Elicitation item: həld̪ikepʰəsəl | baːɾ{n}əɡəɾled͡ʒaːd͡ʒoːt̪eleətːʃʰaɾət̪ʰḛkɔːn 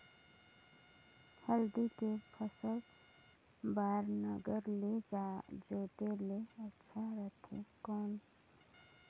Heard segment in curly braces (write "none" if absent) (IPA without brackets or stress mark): n